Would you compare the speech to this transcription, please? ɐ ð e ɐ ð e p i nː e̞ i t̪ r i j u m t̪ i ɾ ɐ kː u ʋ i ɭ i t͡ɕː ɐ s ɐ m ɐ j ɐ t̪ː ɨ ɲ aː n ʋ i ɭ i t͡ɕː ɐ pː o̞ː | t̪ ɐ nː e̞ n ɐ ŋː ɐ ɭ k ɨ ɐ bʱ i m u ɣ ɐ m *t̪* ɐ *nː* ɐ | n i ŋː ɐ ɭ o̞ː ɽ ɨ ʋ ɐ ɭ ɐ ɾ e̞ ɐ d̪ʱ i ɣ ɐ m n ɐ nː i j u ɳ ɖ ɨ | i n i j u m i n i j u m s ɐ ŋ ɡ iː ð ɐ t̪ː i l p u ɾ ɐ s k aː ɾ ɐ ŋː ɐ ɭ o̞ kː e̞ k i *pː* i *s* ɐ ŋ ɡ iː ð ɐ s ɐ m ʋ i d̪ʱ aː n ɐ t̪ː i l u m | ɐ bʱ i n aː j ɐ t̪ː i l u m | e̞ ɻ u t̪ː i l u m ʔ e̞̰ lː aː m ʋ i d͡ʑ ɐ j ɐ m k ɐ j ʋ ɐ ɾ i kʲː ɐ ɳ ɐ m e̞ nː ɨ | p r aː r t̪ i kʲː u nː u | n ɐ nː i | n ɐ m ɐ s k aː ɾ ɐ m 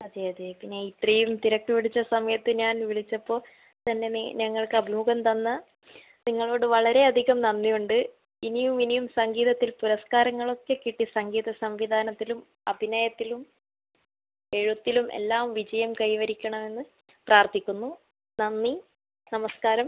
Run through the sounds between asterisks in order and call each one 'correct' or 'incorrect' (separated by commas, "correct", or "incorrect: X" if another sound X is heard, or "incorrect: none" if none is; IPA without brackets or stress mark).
correct, correct, incorrect: ʈː, correct